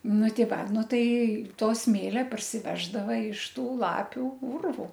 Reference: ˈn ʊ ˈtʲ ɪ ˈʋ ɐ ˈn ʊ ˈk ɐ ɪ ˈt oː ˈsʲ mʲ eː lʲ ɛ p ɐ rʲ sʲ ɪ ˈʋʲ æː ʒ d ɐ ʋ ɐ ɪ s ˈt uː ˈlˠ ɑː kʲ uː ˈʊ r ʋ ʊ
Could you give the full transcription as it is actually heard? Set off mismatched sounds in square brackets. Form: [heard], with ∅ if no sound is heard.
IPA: ˈn ʊ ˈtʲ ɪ ˈʋ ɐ ˈn ʊ [ˈt] ɐ ɪ ˈt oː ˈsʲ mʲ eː lʲ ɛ p ɐ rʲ sʲ ɪ ˈʋʲ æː ʒ d ɐ ʋ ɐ ɪ [ʃ] ˈt uː ˈlˠ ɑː [pʲ] uː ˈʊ r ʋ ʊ